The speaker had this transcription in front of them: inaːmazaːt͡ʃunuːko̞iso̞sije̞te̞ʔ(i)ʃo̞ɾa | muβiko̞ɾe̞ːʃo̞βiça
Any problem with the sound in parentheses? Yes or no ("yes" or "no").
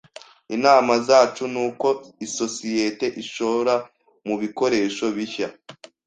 no